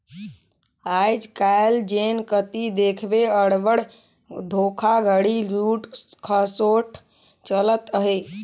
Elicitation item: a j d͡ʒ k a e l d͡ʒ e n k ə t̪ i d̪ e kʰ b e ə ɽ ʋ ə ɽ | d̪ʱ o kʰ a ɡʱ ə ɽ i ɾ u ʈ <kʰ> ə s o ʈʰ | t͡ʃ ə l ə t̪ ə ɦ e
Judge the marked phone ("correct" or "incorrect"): correct